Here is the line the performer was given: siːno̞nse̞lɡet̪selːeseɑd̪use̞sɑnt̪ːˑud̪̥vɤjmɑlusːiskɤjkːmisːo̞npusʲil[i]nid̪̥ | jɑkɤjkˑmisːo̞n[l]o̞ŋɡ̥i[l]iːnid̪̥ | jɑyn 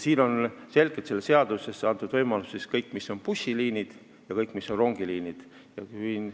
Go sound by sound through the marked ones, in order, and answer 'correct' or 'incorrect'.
incorrect, incorrect, correct

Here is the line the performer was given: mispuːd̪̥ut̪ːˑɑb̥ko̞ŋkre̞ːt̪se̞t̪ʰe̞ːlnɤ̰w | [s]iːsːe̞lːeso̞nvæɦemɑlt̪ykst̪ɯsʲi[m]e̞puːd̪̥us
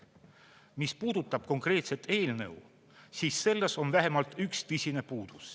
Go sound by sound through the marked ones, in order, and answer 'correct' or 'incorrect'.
correct, incorrect

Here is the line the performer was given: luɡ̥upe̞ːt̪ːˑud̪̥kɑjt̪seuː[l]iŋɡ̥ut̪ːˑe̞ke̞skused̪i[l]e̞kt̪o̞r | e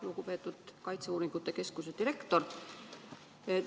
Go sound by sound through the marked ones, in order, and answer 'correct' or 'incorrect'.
incorrect, incorrect

